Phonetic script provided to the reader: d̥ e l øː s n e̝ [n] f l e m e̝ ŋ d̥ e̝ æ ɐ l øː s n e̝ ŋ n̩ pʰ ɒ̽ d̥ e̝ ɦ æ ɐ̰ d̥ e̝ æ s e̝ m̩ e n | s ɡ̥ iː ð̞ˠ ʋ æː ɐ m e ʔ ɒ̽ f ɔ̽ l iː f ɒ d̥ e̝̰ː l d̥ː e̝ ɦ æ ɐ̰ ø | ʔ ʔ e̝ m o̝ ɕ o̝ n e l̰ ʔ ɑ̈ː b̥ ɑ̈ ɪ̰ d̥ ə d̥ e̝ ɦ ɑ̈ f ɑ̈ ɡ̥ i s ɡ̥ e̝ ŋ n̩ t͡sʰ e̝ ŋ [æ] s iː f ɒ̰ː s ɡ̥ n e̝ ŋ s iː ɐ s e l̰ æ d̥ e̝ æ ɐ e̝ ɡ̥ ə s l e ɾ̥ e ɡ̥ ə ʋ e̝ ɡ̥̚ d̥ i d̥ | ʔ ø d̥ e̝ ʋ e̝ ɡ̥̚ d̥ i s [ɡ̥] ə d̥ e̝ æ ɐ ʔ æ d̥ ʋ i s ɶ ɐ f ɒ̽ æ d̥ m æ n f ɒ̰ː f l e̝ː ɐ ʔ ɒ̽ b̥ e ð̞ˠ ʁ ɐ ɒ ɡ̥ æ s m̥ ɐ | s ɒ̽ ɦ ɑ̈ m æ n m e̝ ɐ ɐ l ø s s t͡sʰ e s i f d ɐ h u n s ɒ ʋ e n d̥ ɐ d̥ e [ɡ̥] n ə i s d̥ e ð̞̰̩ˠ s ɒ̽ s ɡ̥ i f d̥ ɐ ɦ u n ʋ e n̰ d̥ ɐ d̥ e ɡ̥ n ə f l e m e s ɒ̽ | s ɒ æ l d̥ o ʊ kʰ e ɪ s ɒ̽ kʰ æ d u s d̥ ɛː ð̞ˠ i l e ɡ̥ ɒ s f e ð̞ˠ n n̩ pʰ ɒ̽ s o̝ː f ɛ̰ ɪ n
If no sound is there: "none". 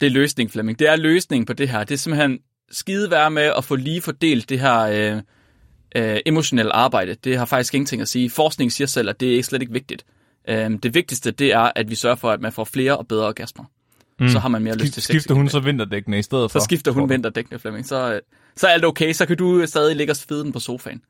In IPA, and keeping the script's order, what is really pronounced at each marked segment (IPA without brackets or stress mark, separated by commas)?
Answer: ŋ, æ, d̥, ɡ̥